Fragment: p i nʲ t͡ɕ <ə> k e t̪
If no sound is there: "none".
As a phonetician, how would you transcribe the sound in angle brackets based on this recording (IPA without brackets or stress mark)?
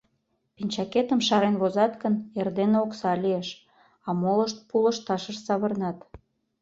ɑ